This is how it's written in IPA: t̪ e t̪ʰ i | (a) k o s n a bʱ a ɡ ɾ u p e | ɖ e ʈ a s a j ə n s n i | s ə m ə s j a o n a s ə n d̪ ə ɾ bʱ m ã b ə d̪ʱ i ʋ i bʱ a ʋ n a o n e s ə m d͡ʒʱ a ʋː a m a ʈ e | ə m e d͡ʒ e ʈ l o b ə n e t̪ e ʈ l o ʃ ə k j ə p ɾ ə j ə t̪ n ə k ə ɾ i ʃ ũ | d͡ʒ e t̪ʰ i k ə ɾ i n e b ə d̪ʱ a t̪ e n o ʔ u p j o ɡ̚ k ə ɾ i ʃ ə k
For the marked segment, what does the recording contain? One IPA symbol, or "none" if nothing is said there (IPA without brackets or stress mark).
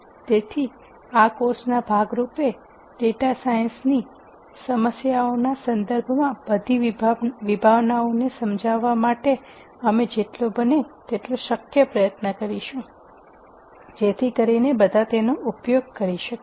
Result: a